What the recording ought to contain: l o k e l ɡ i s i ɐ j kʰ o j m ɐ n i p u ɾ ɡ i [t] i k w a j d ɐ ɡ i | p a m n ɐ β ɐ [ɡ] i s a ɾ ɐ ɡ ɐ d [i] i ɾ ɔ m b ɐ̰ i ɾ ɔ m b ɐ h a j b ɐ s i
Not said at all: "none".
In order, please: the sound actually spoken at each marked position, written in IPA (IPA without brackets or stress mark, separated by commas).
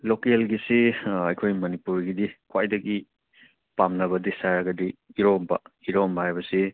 d, d, i